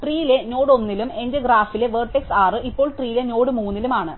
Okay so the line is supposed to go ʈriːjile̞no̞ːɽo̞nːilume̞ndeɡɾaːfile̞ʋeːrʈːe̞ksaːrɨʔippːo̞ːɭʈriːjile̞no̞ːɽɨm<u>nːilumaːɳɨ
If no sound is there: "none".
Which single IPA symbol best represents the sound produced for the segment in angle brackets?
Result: uː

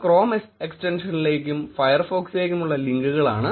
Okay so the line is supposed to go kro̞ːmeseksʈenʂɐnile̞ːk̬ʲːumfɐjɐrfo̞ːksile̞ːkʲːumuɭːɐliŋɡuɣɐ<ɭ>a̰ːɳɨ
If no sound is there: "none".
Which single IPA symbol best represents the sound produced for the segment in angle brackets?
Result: ɭ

